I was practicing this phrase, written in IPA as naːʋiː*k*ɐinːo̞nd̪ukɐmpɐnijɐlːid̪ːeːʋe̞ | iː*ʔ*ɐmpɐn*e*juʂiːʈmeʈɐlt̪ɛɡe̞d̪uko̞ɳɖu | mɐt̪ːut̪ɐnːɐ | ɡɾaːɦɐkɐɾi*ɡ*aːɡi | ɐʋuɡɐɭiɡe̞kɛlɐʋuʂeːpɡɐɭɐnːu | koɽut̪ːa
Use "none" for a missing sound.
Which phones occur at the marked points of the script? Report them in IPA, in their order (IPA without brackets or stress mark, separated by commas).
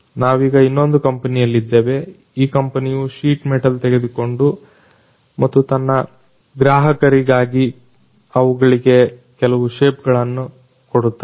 ɡ, k, i, ɡ